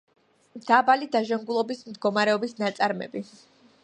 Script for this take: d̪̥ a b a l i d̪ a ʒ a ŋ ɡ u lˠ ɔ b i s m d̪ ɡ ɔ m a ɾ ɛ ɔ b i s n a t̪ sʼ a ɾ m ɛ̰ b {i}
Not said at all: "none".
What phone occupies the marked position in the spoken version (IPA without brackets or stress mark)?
i